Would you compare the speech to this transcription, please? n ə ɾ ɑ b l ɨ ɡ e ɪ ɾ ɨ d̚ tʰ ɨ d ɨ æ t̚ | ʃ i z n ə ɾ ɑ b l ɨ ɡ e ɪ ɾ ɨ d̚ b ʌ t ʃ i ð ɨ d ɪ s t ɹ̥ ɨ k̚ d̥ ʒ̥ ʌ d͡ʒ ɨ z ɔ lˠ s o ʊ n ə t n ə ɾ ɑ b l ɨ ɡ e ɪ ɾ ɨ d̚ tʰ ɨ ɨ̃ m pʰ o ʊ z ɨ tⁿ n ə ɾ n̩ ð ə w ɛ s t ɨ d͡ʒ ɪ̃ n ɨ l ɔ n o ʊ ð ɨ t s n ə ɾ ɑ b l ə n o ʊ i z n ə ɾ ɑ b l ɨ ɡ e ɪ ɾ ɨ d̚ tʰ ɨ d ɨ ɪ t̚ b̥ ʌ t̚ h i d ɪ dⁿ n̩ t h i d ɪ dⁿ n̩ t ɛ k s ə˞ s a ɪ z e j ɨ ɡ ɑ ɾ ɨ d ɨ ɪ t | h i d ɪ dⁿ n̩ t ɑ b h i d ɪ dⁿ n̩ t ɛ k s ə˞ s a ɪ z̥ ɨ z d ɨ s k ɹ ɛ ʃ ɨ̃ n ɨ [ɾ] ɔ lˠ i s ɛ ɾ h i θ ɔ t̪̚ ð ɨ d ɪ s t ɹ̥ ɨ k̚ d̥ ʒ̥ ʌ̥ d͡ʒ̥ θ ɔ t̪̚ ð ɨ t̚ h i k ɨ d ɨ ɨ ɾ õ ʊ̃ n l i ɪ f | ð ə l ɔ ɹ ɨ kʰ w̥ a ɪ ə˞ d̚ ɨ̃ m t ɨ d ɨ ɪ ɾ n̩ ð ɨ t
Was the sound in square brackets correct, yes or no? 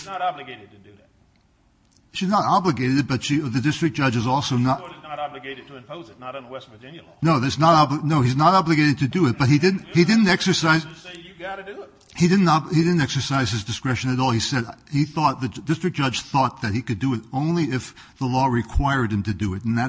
yes